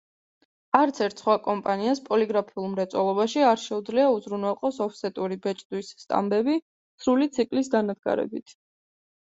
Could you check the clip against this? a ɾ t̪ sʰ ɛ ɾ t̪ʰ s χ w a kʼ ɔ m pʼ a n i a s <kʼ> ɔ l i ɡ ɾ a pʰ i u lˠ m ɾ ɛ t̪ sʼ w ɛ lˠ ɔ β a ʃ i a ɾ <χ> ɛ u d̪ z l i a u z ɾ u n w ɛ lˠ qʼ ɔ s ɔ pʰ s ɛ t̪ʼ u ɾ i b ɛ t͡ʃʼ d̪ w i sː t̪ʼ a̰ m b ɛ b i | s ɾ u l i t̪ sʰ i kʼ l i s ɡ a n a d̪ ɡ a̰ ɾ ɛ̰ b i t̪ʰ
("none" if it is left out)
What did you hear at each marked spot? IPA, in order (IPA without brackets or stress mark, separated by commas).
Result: pʼ, ʃ